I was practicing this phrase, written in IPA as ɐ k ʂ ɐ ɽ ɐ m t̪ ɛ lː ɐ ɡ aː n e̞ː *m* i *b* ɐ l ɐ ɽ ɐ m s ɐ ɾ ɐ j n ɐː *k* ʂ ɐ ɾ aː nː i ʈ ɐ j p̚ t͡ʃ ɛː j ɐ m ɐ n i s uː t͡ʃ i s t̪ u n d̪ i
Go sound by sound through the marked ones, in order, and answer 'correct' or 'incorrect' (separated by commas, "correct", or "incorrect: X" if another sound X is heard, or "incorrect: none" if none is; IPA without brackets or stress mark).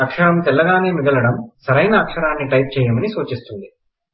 correct, incorrect: ɡ, correct